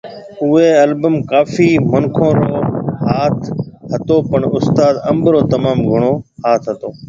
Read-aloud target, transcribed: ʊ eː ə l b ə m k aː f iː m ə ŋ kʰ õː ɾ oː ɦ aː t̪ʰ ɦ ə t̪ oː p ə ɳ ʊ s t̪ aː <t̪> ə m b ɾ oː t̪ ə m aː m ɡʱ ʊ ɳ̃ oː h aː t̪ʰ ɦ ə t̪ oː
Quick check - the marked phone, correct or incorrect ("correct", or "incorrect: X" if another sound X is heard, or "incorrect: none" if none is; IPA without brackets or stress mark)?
incorrect: d̪